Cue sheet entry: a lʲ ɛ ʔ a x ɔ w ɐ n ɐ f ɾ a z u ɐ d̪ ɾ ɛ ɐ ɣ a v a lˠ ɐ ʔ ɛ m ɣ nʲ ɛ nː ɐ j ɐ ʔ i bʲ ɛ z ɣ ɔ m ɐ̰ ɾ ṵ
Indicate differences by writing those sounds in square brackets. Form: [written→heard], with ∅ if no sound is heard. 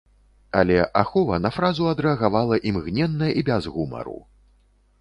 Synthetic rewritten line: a lʲ ɛ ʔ a x ɔ [w→v] ɐ n ɐ f ɾ a z u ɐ d̪ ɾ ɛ ɐ ɣ a v a lˠ ɐ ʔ [ɛ→i] m ɣ nʲ ɛ nː ɐ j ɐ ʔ i bʲ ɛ z ɣ [ɔ→u] m ɐ̰ ɾ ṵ